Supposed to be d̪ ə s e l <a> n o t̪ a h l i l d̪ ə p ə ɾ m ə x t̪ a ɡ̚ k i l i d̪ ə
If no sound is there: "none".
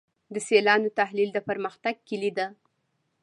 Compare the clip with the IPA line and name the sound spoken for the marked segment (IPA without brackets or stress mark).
ɑ